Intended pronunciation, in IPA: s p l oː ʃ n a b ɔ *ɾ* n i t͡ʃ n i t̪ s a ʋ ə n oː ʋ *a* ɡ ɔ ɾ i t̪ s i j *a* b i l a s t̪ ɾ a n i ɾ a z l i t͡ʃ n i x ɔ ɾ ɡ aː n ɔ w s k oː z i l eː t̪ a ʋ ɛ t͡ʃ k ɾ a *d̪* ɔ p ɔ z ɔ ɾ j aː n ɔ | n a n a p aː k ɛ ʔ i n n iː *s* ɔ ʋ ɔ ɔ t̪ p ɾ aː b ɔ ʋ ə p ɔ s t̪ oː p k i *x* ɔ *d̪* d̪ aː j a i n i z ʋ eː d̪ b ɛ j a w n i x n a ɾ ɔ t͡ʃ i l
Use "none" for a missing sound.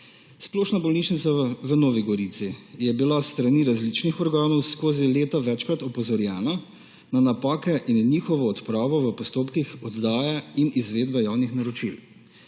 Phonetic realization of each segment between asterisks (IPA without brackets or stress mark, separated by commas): l, i, ɛ, t̪, x, x, d̪